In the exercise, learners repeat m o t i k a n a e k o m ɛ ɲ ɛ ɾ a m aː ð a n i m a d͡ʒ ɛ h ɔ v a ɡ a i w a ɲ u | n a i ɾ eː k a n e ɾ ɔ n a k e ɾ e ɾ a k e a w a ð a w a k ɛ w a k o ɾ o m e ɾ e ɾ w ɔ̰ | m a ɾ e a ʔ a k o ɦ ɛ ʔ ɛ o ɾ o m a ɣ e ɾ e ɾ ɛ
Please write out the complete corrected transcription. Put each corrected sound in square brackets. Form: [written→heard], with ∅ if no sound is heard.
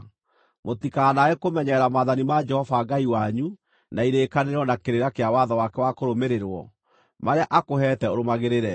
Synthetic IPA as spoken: m o t i k a n a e k o m ɛ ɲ ɛ ɾ a m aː ð a n i m a d͡ʒ ɛ h ɔ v a ɡ a i w a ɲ u | n a i ɾ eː k a n e ɾ ɔ n a k e ɾ e ɾ a k e a w a ð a w a k ɛ w a k o ɾ o m e ɾ e ɾ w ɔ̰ | m a ɾ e a ʔ a k o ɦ ɛ [ʔ→t] ɛ o ɾ o m a ɣ e ɾ e ɾ ɛ